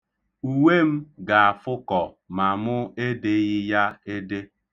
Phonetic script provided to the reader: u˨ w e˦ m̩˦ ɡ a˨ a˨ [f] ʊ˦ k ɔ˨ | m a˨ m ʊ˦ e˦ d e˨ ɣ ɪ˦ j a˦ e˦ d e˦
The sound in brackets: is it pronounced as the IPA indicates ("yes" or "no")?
yes